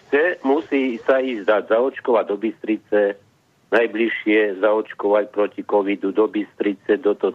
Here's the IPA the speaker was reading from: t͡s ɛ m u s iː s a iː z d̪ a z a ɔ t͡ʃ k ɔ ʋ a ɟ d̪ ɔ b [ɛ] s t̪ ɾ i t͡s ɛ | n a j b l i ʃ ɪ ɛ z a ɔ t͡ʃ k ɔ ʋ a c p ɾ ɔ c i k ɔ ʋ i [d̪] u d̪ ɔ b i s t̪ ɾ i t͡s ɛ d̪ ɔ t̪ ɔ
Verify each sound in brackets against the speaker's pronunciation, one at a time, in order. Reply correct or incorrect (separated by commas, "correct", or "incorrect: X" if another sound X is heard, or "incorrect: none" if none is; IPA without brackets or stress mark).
incorrect: i, correct